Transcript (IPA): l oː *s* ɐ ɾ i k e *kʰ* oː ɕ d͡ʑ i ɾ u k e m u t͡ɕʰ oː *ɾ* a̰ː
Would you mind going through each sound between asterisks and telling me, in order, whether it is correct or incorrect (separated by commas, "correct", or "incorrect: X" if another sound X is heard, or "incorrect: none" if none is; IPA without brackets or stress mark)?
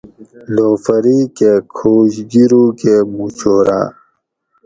incorrect: f, correct, correct